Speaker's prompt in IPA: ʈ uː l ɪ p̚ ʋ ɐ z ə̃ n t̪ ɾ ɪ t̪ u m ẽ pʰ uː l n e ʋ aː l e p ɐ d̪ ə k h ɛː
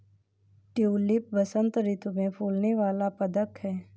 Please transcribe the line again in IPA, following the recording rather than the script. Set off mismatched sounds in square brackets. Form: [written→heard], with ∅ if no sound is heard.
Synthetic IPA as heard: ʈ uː l ɪ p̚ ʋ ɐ [z→s] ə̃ n t̪ ɾ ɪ t̪ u m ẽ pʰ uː l n e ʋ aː l [e→a] p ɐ d̪ ə k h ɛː